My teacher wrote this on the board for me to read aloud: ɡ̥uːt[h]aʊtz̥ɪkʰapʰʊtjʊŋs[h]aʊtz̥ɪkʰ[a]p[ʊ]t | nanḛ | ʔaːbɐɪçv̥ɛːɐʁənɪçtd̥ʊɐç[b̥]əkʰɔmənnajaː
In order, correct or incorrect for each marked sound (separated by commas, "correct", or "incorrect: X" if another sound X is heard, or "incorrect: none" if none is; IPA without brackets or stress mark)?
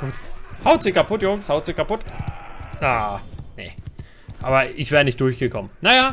correct, correct, correct, correct, incorrect: ɡ̥